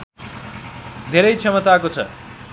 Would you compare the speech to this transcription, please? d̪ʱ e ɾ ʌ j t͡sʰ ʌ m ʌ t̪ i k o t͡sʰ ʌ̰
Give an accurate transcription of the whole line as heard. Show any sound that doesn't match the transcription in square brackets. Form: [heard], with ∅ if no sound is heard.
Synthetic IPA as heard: d̪ʱ e ɾ ʌ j t͡sʰ ʌ m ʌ t̪ [a] k o t͡sʰ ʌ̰

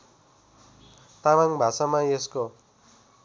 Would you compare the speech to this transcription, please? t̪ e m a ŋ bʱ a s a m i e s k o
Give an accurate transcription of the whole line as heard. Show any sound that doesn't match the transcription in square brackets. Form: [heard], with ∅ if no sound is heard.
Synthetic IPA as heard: t̪ [a] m a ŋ bʱ a s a m [a] e s k o

